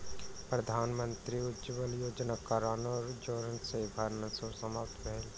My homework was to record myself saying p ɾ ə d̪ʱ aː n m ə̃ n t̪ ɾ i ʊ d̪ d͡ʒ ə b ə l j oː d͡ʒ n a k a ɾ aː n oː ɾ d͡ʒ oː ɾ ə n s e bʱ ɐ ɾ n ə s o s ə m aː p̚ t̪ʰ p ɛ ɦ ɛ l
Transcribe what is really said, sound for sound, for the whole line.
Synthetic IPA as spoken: p ɾ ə d̪ʱ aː n m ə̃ n t̪ ɾ i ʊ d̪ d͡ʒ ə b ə l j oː d͡ʒ n a k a ɾ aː n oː ɾ d͡ʒ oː ɾ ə n s e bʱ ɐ ɾ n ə s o s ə m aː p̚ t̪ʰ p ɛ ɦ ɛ l